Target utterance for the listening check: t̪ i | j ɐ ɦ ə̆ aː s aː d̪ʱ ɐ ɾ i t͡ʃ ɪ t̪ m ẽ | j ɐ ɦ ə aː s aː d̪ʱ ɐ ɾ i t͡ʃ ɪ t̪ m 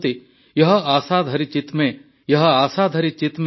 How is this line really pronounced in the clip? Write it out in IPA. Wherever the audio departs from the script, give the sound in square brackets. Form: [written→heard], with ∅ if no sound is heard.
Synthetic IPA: t̪ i | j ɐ ɦ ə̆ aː s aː d̪ʱ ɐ ɾ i t͡ʃ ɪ t̪ m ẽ | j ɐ ɦ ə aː s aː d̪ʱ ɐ ɾ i t͡ʃ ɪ t̪ m